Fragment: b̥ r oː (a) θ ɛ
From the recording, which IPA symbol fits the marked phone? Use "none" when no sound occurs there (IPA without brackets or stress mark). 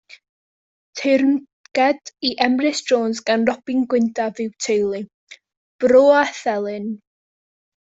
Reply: a